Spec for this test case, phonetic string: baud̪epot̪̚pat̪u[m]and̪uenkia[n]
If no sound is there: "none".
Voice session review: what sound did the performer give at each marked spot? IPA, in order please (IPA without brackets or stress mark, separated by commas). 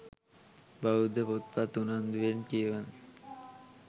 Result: n, n